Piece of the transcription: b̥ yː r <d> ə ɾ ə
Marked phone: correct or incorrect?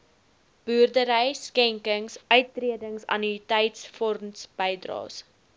correct